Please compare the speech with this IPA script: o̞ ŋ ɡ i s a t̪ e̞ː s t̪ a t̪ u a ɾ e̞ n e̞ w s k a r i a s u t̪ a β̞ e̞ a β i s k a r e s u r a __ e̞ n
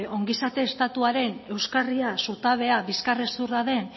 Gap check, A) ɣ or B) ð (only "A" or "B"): B